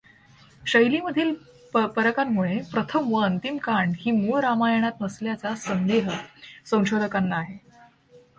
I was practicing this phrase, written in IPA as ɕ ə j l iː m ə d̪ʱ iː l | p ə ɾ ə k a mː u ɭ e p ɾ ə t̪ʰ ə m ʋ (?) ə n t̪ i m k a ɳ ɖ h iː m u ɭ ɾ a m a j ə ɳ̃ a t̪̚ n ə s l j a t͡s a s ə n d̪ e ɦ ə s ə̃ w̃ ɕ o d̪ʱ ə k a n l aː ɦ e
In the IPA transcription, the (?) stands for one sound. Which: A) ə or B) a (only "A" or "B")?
A